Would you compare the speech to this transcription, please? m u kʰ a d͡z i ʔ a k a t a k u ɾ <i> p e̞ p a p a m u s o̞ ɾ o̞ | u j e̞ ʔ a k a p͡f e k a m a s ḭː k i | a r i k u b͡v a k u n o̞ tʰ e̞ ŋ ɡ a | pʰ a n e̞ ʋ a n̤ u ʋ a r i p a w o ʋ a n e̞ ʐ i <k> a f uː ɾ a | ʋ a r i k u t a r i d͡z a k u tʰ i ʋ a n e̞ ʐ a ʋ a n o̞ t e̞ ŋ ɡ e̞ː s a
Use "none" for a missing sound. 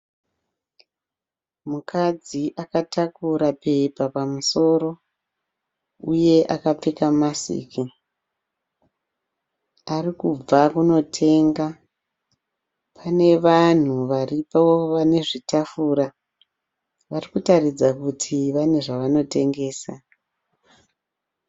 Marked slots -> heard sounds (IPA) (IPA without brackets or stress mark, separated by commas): a, t